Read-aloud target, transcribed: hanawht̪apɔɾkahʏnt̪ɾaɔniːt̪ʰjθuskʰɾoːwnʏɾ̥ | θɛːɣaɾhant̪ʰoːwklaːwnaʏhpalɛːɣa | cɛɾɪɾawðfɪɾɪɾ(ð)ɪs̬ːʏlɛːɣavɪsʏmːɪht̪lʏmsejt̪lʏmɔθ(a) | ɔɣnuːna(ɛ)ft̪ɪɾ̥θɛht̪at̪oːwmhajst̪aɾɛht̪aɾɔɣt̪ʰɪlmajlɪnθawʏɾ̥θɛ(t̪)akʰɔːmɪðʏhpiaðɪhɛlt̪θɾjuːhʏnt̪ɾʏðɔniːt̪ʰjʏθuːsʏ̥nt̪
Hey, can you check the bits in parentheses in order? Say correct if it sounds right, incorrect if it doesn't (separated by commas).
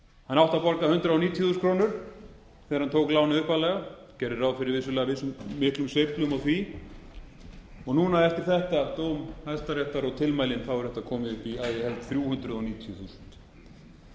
incorrect, incorrect, correct, correct